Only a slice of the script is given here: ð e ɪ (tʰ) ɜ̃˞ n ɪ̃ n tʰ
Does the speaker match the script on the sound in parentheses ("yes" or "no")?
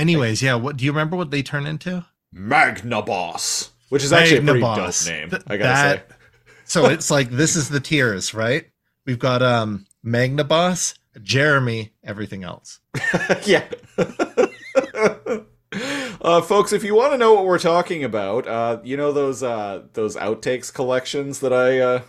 yes